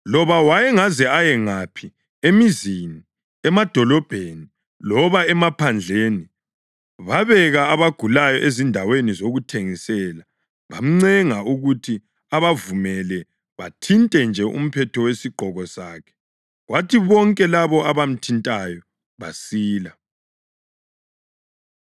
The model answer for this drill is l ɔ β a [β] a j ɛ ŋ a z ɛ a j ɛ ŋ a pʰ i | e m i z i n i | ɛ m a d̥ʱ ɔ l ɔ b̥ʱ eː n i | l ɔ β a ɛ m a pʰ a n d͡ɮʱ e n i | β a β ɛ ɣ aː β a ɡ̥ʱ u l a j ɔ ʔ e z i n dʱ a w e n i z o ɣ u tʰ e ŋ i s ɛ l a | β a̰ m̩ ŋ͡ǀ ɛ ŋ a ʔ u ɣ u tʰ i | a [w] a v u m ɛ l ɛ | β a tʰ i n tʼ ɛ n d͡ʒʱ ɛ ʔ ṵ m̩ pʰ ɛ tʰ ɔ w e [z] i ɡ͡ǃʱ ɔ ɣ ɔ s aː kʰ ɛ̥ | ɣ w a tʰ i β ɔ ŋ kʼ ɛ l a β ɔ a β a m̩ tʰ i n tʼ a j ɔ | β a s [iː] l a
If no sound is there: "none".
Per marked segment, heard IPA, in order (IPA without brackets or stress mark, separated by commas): w, β, s, iː